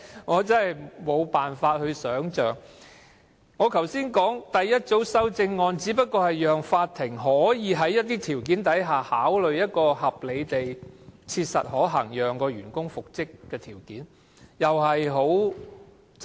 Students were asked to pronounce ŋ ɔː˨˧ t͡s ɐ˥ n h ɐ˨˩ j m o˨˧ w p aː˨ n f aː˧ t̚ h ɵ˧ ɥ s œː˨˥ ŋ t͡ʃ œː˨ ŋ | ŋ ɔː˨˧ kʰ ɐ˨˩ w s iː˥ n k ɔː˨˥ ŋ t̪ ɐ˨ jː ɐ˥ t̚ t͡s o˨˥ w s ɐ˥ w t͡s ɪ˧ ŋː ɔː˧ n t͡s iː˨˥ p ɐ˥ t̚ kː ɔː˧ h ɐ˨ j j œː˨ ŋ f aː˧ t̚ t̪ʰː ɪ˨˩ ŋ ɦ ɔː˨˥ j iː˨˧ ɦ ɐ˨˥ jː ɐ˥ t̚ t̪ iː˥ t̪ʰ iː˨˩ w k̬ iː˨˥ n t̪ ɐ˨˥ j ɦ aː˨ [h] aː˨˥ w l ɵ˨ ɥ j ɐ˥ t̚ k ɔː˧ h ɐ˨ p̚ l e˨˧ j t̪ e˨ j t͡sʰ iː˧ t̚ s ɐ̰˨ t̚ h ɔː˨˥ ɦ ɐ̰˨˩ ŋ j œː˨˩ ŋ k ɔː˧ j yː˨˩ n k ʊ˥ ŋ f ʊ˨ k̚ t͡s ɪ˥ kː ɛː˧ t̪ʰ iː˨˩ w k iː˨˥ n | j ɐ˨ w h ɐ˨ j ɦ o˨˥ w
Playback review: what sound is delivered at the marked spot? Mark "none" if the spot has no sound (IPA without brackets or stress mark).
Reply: h